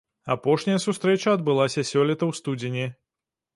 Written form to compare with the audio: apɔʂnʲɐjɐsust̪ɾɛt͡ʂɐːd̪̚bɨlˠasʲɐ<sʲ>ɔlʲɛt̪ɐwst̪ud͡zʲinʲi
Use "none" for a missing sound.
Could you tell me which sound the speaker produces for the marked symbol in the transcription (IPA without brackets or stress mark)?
sʲ